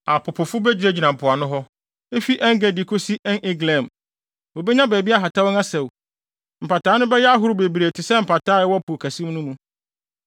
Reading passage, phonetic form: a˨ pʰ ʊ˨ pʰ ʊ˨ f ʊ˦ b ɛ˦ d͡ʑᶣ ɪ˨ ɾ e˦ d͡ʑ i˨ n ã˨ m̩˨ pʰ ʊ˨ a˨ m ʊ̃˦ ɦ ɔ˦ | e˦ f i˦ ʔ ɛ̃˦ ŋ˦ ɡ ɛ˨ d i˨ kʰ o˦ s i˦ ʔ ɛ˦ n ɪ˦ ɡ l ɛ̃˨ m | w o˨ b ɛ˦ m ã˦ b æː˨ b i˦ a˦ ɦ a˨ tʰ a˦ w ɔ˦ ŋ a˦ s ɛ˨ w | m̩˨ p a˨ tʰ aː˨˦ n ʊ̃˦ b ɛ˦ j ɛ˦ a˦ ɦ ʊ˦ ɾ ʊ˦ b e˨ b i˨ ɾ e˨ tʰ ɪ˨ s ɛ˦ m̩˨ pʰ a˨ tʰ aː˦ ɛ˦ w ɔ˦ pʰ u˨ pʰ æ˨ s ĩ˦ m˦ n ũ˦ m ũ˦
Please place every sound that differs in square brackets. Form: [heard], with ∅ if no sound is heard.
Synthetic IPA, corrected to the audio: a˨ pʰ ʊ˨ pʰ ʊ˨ f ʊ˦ b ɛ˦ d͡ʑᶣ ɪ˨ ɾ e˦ d͡ʑ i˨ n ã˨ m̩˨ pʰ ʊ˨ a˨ [n] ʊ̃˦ ɦ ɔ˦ | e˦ f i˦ ʔ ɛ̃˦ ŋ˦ ɡ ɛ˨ d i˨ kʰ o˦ s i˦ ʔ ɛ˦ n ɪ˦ ɡ l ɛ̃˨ m | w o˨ b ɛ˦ [ɲ] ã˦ b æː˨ b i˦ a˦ ɦ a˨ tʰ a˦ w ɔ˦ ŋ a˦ s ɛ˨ w | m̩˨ p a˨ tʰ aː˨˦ n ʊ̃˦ b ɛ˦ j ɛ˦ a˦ ɦ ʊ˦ ɾ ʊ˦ b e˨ b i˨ ɾ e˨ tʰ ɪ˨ s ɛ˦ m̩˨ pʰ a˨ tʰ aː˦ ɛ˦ w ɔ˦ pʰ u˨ [kʰ] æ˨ s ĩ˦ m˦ n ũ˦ m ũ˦